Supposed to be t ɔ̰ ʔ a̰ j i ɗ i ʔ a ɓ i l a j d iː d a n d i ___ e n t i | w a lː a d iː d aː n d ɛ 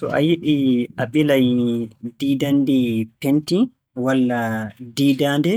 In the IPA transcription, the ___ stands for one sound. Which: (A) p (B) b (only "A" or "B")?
A